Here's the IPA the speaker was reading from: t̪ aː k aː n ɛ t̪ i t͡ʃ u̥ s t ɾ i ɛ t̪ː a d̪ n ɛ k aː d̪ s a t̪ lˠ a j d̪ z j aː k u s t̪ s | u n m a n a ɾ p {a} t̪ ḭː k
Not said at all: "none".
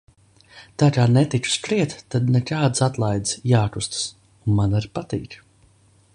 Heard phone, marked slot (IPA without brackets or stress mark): a